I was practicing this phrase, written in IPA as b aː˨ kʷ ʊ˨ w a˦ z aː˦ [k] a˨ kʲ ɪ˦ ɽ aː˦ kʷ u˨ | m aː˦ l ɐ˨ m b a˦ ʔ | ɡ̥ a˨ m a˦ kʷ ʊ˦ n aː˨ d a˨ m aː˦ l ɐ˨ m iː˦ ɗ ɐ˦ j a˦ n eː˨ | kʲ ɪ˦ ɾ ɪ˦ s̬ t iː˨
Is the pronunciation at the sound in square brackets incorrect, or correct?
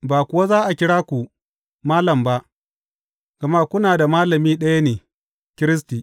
incorrect